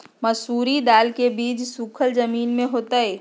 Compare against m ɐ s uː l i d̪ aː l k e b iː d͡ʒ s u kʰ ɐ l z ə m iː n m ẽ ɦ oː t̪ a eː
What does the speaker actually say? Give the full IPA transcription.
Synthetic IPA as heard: m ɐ s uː ɾ i d̪ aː l k e b iː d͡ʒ s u kʰ ə l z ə m iː n m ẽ ɦ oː t̪ a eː